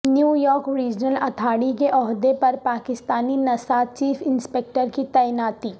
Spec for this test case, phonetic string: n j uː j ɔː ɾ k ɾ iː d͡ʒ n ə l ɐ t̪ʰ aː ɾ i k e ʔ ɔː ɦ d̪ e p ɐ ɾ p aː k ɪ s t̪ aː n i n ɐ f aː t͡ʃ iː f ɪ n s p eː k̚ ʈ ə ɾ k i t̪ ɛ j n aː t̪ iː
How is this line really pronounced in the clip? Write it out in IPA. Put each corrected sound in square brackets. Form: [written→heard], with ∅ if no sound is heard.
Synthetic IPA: n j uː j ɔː ɾ k ɾ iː d͡ʒ n ə l ɐ t̪ʰ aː [ɾ→ɽ] i k e ʔ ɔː ɦ d̪ e p ɐ ɾ p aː k ɪ s t̪ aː n i n ɐ [f→s] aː t͡ʃ iː f ɪ n s p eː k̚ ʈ ə ɾ k i t̪ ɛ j n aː t̪ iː